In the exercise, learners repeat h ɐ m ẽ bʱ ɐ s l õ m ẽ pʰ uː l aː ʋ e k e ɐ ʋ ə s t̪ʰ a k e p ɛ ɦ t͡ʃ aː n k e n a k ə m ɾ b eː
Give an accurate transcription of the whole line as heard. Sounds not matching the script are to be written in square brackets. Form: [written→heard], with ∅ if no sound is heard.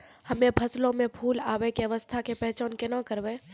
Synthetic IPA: h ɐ m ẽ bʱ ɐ s l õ m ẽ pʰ uː l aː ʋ e k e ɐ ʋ ə s t̪ʰ a k e p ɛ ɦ t͡ʃ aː n k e n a k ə [m→∅] ɾ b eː

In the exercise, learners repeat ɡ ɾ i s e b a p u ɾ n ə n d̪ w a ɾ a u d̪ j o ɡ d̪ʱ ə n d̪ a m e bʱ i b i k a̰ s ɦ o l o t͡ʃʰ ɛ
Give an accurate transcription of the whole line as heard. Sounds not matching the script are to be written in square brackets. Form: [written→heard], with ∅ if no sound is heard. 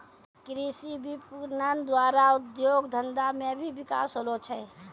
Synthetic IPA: [ɡ→k] ɾ i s [e→i] b [a→i] p u ɾ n ə n d̪ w a ɾ a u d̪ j o ɡ d̪ʱ ə n d̪ a m e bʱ i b i k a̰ s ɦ o l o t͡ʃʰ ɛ

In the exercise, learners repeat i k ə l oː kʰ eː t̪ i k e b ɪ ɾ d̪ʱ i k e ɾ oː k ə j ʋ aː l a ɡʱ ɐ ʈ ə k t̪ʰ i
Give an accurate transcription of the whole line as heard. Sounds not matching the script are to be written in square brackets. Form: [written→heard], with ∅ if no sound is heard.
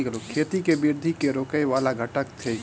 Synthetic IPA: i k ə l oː kʰ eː t̪ i k e b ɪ ɾ d̪ʱ i k e ɾ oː k ə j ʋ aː l a ɡʱ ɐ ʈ ə k t̪ʰ [i→e]

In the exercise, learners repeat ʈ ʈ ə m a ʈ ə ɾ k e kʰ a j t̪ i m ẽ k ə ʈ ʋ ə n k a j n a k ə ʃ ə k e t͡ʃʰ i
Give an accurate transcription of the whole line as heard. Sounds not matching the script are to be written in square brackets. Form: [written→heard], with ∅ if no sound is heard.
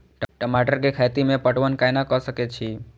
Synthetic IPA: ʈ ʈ ə m a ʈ ə ɾ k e kʰ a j t̪ i m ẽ [k→p] ə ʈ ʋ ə n k a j n a k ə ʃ ə k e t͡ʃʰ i

